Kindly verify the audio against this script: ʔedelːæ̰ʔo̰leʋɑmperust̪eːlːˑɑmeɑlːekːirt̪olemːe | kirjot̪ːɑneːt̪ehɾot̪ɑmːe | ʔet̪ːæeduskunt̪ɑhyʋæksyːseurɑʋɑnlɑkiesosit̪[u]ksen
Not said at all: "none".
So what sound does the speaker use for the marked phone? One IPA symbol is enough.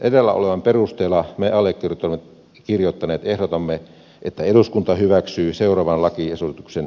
u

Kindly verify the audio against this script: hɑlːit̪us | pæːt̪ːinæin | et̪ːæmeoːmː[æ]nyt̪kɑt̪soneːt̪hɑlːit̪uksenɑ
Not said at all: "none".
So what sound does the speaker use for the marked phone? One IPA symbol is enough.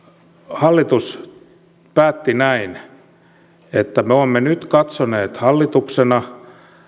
e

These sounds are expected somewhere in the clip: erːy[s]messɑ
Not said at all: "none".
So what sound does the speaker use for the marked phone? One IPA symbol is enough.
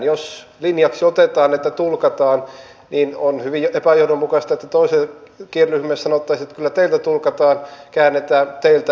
h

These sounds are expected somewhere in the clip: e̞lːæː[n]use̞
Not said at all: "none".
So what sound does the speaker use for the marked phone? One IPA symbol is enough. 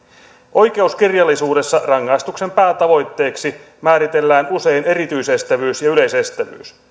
n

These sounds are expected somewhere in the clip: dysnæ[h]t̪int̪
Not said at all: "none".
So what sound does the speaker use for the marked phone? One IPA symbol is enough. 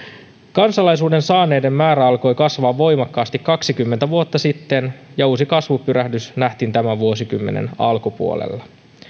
h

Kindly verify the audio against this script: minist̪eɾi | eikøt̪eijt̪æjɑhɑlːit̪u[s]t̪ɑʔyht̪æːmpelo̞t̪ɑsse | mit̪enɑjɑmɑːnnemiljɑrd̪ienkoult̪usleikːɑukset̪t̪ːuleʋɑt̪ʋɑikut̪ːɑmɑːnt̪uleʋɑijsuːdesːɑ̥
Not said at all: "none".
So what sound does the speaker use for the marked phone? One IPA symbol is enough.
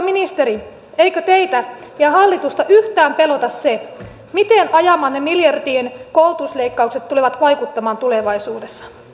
s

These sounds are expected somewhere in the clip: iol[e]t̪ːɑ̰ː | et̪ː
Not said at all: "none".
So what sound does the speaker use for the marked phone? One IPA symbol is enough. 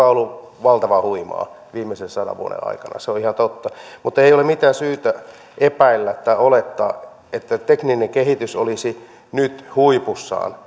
e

